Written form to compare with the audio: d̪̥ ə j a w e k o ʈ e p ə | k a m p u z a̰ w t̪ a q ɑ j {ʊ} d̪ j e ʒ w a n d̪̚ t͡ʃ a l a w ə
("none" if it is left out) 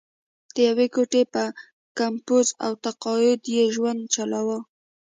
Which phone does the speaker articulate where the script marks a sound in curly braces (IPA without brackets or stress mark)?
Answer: ʊ